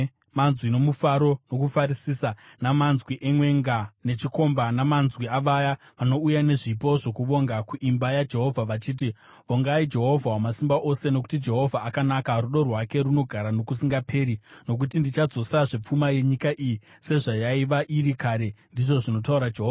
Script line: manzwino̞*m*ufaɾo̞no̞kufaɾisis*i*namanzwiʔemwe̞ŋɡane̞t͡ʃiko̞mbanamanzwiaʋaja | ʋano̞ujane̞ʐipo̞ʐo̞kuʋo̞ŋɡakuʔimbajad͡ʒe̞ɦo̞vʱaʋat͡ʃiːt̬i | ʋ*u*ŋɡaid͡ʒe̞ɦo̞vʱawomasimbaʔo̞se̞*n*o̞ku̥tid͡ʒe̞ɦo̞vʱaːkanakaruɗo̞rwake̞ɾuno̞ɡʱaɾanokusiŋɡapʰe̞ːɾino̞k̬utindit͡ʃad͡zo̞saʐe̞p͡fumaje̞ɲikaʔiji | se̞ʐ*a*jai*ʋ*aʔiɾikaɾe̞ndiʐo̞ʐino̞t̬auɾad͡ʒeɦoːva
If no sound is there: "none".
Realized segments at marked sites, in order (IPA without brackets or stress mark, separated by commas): m, a, o, n, a, ʋ